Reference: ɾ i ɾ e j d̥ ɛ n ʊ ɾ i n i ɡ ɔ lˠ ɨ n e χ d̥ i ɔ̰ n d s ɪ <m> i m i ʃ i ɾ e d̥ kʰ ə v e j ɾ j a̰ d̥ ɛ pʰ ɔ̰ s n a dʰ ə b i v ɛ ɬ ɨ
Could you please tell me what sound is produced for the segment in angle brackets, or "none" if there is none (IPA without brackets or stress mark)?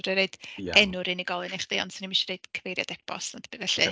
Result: n